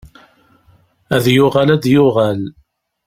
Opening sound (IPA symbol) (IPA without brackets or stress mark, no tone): æ